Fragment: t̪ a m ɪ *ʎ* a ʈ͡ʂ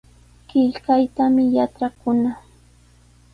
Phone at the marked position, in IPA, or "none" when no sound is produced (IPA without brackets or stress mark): j